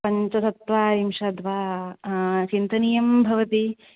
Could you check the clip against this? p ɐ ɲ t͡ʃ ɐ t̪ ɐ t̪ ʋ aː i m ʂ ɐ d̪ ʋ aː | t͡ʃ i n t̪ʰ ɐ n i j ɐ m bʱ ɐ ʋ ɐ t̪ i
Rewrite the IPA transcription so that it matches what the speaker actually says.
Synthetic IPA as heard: p ɐ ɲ t͡ʃ ɐ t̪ ɐ t̪ ʋ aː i m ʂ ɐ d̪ ʋ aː | t͡ʃ i n t̪ ɐ n i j ɐ m bʱ ɐ ʋ ɐ t̪ i